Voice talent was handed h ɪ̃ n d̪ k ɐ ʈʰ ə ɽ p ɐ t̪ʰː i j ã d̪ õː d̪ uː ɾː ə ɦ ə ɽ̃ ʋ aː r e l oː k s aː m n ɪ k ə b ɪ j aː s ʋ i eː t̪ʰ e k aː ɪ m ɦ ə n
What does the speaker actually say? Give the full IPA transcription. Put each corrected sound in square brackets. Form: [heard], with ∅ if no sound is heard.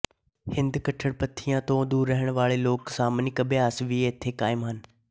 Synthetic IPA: h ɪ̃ n d̪ k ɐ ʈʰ ə ɽ p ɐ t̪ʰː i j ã [t̪] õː d̪ uː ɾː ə ɦ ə ɽ̃ ʋ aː [ɭ] e l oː k s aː m n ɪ k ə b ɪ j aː s ʋ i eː t̪ʰ e k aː ɪ m ɦ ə n